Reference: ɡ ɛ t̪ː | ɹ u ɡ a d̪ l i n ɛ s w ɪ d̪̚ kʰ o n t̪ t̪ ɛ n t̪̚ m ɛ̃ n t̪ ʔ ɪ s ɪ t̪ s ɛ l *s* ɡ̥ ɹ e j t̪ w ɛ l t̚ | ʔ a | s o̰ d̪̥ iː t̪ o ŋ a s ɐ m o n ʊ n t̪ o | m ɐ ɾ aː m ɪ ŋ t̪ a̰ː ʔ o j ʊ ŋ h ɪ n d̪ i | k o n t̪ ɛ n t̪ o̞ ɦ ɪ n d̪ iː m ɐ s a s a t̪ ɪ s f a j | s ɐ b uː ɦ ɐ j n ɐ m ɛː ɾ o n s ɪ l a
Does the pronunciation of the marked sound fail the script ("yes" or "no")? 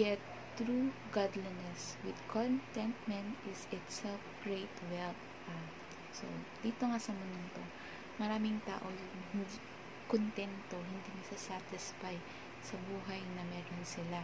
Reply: yes